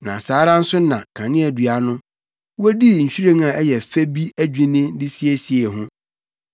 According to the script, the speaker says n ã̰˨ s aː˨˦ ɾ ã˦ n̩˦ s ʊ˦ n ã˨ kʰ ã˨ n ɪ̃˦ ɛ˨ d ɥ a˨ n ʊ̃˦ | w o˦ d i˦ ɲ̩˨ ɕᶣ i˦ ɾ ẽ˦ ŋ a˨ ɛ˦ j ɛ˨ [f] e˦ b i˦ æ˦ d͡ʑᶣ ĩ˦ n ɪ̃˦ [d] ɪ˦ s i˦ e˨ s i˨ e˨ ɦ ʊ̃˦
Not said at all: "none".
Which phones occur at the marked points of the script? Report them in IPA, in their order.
f, d

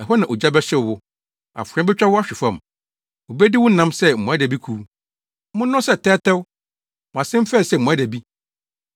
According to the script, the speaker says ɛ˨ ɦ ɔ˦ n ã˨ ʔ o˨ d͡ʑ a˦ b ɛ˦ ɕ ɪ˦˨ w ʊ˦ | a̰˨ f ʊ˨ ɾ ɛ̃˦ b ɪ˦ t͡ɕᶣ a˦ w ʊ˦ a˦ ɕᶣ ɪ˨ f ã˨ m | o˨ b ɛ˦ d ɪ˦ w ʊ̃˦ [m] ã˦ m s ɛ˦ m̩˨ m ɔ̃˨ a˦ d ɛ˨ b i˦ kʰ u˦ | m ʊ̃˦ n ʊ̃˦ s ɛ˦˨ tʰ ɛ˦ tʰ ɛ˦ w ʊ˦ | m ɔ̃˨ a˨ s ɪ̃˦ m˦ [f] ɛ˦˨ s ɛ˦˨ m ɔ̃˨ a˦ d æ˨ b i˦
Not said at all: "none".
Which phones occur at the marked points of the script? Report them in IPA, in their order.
n, f

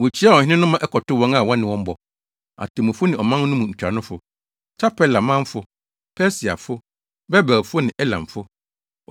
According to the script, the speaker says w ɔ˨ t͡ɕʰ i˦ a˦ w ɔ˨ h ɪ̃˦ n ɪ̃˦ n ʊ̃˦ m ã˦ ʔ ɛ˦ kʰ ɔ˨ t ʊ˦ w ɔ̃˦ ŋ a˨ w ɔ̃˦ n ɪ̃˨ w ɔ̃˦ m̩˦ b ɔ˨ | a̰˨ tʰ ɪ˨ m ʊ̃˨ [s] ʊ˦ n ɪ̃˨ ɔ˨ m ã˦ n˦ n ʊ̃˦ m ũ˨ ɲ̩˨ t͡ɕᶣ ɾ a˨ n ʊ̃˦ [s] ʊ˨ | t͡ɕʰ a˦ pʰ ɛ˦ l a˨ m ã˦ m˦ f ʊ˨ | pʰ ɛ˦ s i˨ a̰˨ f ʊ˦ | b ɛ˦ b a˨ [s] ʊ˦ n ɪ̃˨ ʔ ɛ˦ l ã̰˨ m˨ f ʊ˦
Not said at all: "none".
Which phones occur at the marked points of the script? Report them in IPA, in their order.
f, f, f

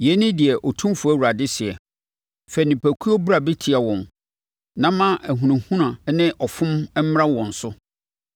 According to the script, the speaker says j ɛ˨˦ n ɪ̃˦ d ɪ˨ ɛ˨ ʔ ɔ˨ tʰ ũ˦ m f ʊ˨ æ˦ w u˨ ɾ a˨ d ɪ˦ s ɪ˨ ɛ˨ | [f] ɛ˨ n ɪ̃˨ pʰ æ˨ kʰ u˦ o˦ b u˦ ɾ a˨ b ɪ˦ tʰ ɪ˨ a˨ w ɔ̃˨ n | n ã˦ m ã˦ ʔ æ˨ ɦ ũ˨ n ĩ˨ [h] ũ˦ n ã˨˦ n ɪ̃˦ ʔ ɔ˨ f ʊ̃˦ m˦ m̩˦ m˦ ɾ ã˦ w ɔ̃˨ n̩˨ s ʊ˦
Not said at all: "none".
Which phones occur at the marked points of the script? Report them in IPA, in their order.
f, h

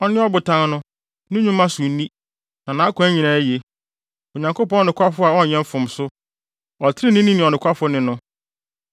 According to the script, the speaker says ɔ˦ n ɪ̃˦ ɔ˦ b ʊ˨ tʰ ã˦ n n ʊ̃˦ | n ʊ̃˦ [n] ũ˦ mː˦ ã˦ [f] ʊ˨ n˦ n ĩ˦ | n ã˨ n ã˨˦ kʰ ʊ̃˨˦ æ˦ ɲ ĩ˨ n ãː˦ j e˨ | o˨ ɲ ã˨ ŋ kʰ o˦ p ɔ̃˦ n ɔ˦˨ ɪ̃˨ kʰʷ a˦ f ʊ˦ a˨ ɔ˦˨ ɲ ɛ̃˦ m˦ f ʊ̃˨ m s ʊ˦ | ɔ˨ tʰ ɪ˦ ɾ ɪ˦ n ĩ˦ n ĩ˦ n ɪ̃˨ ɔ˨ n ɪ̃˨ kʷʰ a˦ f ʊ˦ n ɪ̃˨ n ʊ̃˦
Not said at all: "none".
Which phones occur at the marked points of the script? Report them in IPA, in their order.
ɲ, s

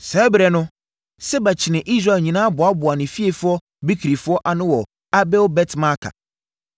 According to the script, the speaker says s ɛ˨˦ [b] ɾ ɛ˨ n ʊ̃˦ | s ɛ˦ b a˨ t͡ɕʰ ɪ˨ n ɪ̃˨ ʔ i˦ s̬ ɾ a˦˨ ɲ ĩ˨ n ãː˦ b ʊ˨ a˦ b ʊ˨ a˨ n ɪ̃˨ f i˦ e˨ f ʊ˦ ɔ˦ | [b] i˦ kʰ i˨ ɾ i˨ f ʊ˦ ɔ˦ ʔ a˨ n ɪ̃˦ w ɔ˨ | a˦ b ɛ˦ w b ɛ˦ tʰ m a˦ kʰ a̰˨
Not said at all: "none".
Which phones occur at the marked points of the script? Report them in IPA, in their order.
b, b

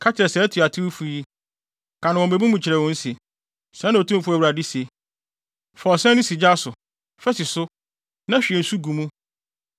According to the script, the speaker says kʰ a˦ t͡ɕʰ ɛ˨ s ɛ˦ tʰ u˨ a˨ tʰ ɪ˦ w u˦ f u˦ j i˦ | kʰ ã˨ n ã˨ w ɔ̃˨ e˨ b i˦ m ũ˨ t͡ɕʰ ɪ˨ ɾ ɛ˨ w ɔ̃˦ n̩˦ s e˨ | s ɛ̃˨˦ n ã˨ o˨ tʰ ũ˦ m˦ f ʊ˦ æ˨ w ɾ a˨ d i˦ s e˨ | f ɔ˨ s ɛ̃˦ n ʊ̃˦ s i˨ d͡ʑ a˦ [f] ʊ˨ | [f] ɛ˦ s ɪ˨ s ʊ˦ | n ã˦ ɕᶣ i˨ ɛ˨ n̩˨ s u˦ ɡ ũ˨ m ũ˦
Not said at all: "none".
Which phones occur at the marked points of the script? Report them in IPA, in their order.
s, f

